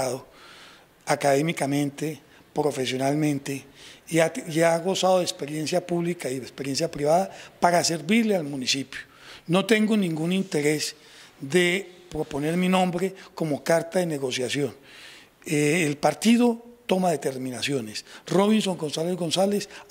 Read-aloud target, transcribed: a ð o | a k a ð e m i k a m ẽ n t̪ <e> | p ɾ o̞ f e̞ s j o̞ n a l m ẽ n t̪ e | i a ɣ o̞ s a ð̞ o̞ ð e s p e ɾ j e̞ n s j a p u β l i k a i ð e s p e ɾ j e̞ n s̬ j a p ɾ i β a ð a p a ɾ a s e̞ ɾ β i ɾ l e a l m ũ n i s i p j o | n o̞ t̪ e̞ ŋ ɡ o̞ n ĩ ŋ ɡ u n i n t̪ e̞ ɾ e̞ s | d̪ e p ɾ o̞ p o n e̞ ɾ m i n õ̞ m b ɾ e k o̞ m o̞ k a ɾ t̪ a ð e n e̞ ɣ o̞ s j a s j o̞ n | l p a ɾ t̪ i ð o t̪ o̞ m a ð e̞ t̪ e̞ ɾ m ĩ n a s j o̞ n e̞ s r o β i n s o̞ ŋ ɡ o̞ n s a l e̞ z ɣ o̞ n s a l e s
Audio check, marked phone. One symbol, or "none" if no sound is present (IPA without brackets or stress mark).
e